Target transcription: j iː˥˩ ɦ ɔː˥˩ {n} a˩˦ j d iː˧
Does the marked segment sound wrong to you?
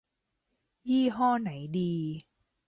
no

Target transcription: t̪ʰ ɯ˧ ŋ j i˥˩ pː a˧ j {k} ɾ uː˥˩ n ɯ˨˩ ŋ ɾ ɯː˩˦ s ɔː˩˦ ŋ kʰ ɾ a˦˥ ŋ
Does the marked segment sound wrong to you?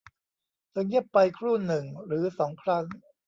yes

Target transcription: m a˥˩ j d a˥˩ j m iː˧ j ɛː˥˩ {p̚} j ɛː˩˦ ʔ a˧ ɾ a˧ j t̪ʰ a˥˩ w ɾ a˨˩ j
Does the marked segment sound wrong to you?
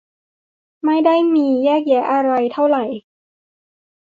yes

